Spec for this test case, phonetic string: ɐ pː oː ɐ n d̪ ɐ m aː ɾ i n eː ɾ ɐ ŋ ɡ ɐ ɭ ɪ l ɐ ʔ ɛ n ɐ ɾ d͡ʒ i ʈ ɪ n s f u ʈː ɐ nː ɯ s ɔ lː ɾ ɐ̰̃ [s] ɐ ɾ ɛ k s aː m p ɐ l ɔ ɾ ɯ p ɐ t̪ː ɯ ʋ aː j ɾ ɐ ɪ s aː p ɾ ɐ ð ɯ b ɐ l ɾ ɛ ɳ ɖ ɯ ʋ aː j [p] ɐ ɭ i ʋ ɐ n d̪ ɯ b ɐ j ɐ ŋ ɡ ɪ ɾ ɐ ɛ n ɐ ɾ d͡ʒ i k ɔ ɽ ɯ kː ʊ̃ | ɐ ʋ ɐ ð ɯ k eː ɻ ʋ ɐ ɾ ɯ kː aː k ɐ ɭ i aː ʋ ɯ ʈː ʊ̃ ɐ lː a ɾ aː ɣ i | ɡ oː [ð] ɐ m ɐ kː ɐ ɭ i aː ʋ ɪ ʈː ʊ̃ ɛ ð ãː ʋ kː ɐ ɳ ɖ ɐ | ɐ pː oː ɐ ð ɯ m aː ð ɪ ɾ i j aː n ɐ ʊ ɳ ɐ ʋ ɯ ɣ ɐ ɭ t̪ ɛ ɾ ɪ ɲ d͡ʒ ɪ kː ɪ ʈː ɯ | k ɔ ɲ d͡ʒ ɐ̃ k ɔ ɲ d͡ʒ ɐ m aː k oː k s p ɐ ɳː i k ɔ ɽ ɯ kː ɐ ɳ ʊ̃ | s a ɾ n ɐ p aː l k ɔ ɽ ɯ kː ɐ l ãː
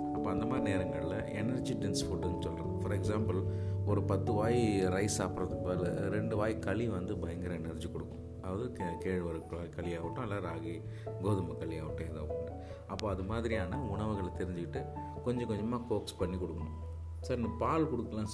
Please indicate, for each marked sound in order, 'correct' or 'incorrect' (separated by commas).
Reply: incorrect, incorrect, correct